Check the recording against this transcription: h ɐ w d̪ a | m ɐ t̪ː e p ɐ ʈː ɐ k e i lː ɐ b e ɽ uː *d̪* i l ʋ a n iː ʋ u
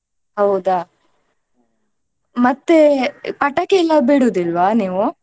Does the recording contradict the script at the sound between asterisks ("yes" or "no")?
no